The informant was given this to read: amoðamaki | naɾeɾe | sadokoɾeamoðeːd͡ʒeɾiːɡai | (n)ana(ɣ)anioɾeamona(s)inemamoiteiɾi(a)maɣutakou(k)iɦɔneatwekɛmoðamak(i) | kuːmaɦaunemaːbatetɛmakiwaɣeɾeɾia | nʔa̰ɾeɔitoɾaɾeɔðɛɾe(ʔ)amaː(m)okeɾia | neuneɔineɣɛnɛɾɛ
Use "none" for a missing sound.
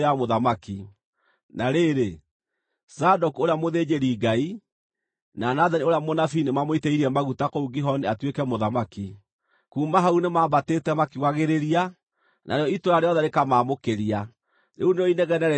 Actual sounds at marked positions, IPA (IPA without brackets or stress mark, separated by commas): n, ð, f, ɛ, ɡ, i, k, m